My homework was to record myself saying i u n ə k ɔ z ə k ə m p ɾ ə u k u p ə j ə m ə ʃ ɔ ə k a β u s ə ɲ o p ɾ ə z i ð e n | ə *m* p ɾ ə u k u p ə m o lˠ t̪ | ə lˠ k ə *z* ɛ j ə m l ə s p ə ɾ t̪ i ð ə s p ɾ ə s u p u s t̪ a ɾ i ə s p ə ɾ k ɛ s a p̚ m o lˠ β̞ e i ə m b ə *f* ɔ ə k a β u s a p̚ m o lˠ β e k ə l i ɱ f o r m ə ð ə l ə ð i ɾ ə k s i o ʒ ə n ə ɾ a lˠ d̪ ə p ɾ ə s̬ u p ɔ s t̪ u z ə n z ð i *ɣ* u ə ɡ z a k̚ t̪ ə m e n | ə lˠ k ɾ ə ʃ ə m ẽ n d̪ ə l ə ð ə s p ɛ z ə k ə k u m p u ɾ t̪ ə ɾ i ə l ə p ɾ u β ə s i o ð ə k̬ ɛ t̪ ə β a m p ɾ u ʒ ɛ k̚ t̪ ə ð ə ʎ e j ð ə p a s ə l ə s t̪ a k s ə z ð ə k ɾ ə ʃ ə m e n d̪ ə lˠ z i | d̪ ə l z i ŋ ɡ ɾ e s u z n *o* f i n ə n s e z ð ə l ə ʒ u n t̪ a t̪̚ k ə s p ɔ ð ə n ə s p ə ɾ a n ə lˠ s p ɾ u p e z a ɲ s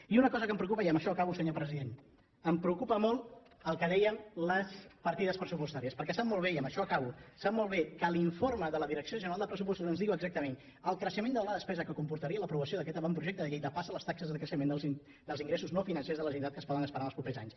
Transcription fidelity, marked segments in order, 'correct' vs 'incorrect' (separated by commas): correct, incorrect, incorrect, correct, correct